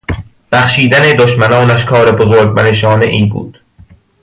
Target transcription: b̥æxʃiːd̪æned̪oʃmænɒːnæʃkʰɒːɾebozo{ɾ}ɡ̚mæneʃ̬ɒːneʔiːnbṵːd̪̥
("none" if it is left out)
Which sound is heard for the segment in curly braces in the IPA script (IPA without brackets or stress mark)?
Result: ɾ